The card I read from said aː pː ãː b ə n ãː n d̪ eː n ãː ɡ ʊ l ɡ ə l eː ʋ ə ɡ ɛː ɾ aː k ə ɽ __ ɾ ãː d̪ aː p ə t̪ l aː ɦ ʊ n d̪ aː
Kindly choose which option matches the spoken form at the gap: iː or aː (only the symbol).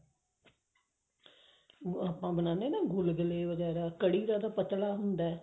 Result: iː